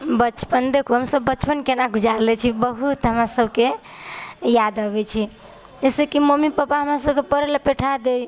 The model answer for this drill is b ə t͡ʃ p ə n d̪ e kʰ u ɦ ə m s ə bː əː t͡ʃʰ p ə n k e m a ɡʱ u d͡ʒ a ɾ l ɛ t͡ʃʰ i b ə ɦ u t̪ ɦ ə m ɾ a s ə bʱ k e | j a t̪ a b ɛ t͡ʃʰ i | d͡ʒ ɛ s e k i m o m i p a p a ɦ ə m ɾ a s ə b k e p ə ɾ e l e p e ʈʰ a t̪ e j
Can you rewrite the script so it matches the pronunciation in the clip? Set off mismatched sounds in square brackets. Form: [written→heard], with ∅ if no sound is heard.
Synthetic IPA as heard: b ə t͡ʃ p ə n d̪ e kʰ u ɦ ə m s ə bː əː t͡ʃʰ p ə n k e [m→n] a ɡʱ u d͡ʒ a ɾ l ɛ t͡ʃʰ i b ə ɦ u t̪ ɦ ə m ɾ a s ə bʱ k e | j a [t̪→d̪] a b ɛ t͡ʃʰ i | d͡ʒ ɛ s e k i m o m i p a p a ɦ ə m ɾ a s ə b k e p ə ɾ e l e p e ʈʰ a [t̪→d̪] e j